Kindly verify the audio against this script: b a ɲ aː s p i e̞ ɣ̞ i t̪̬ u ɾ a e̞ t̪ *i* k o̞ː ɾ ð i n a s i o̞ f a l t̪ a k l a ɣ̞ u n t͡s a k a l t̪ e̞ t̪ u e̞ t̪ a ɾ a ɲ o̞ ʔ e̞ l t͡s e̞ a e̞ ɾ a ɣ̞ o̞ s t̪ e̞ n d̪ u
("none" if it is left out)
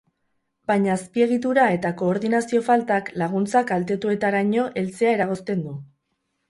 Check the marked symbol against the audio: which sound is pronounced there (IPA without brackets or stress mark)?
a